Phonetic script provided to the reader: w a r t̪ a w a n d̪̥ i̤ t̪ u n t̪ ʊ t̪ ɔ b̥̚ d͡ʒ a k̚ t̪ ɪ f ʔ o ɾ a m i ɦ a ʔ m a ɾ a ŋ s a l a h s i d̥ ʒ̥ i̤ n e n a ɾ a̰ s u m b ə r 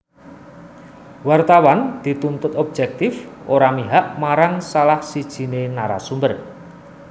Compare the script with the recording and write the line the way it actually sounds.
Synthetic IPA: w a r t̪ a w a n d̪̥ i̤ t̪ u n t̪ ʊ t̪ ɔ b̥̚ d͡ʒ ɛ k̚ t̪ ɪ f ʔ o ɾ a m i ɦ a ʔ m a ɾ a ŋ s a l a h s i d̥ ʒ̥ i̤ n e n a ɾ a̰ s u m b ə r